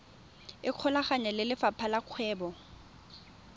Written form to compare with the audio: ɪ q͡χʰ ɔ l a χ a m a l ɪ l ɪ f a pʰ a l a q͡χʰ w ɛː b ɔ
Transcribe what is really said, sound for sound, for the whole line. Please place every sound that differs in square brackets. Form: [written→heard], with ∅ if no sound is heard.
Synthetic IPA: ɪ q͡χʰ ɔ l a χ a [m→ɲ] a l ɪ l ɪ f a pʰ a l a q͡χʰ w ɛː b ɔ

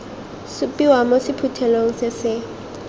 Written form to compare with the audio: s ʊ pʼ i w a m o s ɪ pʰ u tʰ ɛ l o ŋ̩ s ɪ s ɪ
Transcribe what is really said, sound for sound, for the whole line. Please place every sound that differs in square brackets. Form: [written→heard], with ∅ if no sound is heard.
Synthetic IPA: s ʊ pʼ i w a m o s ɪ pʰ u tʰ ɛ l o ŋ̩ s ɪ s ɪ

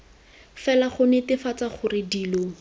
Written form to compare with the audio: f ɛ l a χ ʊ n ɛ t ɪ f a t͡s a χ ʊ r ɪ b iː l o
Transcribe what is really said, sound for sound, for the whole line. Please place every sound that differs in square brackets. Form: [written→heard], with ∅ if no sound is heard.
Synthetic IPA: f ɛ l a χ ʊ n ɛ t ɪ f a t͡s a χ ʊ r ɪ [b→d] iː l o

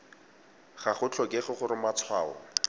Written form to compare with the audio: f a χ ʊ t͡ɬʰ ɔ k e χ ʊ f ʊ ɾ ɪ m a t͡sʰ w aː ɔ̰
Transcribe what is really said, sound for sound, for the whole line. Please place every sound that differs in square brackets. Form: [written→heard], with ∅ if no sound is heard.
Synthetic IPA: [f→χ] a χ ʊ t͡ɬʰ ɔ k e χ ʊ [f→χ] ʊ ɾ ɪ m a t͡sʰ w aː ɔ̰

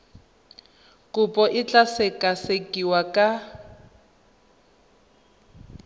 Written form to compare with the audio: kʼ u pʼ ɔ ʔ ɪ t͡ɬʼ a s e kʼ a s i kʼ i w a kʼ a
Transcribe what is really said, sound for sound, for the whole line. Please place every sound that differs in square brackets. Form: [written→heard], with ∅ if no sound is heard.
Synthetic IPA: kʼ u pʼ ɔ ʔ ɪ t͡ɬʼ a s e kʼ a s [i→e] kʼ i w a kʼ a

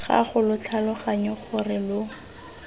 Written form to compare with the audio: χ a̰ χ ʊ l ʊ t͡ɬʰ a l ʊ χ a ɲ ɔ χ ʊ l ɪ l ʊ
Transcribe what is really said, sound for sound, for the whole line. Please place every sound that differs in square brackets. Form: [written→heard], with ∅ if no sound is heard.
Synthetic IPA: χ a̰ χ ʊ l ʊ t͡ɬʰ a l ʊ χ a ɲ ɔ χ ʊ [l→r] ɪ l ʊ

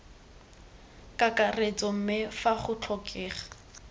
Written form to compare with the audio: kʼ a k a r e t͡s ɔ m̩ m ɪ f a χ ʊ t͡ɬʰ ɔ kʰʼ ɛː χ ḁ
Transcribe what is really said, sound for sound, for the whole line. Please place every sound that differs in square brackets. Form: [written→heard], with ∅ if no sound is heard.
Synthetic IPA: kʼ a k a r e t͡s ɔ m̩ m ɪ f a χ ʊ t͡ɬʰ ɔ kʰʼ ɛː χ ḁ

